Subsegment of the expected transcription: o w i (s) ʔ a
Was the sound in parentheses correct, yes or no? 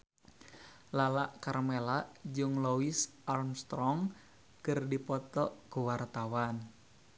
yes